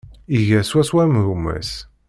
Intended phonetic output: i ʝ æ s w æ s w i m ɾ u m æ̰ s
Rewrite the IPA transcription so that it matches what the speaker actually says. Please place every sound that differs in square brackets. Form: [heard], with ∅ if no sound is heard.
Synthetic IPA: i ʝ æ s w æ s w [æ] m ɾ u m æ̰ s